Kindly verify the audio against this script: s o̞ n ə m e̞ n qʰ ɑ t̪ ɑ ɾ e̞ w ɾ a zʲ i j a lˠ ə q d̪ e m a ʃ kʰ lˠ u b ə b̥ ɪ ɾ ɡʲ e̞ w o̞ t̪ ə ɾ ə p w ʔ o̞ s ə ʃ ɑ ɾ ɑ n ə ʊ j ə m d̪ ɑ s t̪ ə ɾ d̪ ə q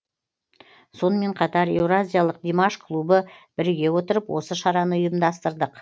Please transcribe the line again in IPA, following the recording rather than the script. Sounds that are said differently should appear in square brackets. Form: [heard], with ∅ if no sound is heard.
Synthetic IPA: s o̞ n ə m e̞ [ɴ] qʰ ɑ t̪ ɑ ɾ e̞ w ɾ a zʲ i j a lˠ ə q d̪ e m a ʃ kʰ lˠ u b ə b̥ ɪ ɾ ɡʲ e̞ w o̞ t̪ ə ɾ ə p w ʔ o̞ s ə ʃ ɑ ɾ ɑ n ə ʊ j ə m d̪ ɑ s t̪ ə ɾ d̪ ə q